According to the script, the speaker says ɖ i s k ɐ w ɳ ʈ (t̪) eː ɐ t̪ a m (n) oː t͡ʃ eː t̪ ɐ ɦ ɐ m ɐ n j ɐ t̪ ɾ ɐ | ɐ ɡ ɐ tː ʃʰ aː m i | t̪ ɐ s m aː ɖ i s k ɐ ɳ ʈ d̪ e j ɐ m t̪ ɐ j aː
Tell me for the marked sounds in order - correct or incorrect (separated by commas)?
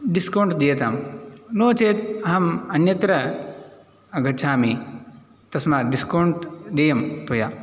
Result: incorrect, correct